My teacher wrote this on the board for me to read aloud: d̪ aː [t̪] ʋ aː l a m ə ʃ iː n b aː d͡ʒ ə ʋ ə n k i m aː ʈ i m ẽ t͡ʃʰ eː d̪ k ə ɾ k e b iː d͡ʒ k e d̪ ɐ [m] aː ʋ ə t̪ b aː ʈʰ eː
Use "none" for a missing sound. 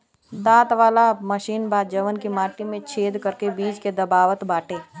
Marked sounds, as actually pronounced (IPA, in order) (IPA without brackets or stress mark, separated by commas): t̪, b